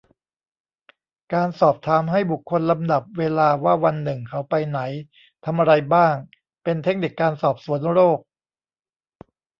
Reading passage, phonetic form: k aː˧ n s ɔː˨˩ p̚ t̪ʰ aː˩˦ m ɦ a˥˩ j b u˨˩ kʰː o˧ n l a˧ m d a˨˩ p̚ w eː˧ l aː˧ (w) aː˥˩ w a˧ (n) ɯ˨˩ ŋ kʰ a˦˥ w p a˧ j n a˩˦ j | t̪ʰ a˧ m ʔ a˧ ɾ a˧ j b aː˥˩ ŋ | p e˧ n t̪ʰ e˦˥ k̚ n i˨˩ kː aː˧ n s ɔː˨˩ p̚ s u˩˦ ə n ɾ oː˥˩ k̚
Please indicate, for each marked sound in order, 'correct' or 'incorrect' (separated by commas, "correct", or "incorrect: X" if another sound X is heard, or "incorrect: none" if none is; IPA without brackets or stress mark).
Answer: correct, incorrect: nː